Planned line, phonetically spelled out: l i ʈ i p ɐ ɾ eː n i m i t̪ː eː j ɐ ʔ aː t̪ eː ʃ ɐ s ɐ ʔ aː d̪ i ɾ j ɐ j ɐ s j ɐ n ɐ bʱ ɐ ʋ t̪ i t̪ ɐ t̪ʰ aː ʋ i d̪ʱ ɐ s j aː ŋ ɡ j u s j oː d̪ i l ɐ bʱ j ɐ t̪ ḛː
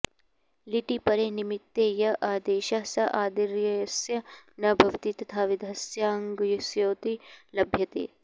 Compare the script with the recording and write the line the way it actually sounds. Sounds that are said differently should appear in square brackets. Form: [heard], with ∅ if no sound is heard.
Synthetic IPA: l i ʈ i p ɐ ɾ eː n i m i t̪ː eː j ɐ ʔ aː [d̪] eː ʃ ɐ s ɐ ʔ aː d̪ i ɾ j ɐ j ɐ s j ɐ n ɐ bʱ ɐ ʋ t̪ i t̪ ɐ t̪ʰ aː ʋ i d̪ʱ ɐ s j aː ŋ ɡ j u s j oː [t̪] i l ɐ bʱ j ɐ t̪ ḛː